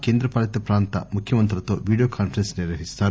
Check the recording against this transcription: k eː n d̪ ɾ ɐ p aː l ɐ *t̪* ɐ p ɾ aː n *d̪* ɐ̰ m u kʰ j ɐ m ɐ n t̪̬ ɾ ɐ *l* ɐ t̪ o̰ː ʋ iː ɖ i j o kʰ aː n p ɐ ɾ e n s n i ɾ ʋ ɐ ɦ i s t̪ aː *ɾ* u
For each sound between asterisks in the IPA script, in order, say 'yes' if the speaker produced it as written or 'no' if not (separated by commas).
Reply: yes, no, yes, yes